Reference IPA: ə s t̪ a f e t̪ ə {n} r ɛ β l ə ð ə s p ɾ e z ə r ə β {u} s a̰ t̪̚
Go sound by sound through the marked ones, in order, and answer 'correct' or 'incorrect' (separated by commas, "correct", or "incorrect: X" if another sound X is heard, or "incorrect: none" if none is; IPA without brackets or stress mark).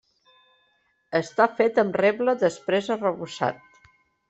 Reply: incorrect: m, correct